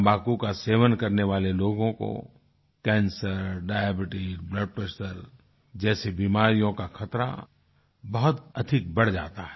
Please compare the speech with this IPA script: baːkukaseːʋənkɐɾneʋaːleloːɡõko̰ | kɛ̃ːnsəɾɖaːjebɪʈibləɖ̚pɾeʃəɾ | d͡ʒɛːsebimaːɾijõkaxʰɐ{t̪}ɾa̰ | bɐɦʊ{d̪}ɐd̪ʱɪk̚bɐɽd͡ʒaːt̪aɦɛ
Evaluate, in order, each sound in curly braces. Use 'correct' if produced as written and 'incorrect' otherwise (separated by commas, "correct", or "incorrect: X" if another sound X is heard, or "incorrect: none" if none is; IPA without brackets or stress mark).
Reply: correct, incorrect: t̪